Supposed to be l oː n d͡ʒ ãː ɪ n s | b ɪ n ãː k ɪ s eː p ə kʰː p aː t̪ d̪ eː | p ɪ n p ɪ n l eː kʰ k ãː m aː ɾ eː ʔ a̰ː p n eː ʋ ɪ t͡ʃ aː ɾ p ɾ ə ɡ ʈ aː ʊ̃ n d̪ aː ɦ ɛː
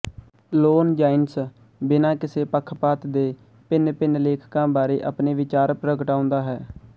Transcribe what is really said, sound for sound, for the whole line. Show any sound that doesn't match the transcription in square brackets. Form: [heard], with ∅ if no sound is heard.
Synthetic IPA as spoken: l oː n d͡ʒ [aː] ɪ n s | b ɪ n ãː k ɪ s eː p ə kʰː p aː t̪ d̪ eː | p ɪ n p ɪ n l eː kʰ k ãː [b] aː ɾ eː ʔ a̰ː p n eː ʋ ɪ t͡ʃ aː ɾ p ɾ ə ɡ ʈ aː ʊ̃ n d̪ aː ɦ ɛː